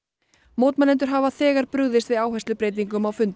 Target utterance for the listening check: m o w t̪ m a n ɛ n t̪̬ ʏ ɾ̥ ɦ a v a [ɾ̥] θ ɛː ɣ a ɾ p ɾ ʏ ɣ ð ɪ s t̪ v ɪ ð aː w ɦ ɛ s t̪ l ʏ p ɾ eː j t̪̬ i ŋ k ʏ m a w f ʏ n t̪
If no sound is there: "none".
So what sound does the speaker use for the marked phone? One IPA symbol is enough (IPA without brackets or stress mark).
none